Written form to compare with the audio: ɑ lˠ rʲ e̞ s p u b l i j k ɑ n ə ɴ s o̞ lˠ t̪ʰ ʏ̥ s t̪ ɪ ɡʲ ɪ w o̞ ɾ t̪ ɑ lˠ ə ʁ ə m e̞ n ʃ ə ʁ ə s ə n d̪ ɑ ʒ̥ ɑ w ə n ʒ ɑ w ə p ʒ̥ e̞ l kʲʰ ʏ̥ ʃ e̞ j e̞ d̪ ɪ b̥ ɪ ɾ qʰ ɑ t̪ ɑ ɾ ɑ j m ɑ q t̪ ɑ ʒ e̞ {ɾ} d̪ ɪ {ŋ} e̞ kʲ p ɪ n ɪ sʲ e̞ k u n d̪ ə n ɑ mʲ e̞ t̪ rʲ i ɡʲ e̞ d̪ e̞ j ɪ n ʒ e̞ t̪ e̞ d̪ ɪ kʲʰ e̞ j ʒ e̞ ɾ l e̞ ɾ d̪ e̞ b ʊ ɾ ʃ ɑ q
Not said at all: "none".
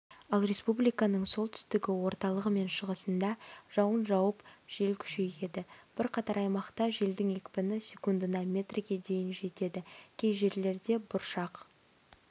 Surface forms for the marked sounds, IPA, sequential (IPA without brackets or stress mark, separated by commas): l, ŋ